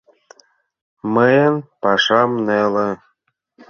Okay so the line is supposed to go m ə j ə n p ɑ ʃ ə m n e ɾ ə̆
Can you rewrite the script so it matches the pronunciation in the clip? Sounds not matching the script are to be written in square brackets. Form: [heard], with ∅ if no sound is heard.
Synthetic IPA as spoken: m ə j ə n p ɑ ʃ [ɑ] m n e [l] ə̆